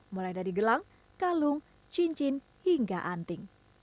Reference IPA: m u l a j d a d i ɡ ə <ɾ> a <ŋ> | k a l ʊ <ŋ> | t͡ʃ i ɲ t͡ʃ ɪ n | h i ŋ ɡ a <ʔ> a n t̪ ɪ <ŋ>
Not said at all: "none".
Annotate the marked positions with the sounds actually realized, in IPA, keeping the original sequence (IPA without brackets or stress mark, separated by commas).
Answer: l, ŋ, ŋ, ʔ, ŋ